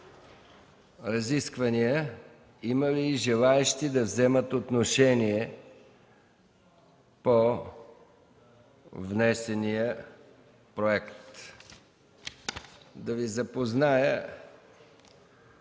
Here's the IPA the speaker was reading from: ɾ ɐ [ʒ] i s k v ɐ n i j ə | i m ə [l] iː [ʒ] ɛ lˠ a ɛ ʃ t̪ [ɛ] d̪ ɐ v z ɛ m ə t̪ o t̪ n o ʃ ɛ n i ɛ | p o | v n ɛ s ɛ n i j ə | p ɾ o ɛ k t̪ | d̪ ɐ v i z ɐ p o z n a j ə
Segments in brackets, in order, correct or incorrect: incorrect: z, correct, correct, incorrect: i

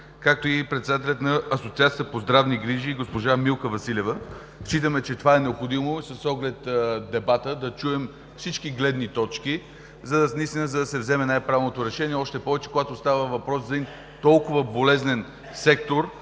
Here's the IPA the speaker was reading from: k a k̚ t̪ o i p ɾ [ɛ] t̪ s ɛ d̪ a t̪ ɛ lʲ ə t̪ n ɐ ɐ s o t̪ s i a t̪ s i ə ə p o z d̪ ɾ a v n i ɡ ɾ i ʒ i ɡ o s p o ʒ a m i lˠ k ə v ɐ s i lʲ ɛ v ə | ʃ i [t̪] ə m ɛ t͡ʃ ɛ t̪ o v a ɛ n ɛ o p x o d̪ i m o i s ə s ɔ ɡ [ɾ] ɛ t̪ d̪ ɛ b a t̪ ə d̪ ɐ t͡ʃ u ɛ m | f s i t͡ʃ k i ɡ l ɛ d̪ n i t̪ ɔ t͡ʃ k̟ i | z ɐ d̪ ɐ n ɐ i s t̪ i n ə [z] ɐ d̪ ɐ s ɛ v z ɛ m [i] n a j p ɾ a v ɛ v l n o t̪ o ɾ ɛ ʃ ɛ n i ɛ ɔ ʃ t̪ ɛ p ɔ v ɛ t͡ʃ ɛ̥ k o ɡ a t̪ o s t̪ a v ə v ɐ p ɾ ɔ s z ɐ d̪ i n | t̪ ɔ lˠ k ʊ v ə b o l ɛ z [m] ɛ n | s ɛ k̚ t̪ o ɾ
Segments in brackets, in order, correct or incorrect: correct, correct, incorrect: l, correct, incorrect: ɛ, incorrect: n

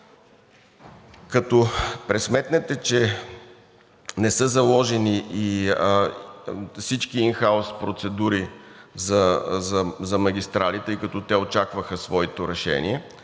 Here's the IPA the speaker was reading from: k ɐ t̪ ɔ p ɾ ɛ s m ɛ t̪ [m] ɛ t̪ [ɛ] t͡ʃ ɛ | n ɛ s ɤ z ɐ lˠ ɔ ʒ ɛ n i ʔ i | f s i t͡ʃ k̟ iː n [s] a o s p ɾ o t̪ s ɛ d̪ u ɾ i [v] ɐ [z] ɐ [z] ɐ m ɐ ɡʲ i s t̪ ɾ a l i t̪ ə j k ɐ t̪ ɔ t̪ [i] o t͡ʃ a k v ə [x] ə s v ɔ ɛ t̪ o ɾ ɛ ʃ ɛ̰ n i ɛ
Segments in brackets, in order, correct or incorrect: incorrect: n, correct, incorrect: x, incorrect: z, correct, correct, incorrect: ɛ, correct

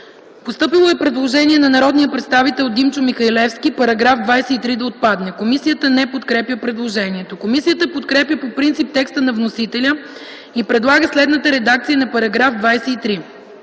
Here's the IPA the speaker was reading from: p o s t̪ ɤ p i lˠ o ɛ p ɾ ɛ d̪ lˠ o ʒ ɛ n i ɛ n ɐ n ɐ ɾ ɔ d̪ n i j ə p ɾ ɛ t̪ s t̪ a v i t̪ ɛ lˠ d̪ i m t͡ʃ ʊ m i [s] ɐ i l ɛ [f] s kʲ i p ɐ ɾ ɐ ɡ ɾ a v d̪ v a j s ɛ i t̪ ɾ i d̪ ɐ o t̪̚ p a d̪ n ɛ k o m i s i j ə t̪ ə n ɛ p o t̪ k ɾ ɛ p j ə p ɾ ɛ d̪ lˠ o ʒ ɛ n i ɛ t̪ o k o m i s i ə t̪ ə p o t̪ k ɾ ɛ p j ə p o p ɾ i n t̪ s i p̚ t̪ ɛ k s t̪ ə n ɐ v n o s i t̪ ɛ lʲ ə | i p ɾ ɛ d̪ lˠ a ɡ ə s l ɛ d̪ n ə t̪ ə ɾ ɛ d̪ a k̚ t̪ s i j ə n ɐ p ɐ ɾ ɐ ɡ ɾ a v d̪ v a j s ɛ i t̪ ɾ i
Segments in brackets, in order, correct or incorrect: incorrect: x, correct

